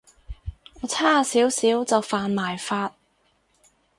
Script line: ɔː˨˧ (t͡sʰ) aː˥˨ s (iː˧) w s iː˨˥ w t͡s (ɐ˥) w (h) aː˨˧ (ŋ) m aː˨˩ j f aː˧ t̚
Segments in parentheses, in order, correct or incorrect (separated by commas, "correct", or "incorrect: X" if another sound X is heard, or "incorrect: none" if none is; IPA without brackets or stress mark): correct, incorrect: iː˨˥, incorrect: ɐ˨, incorrect: f, incorrect: n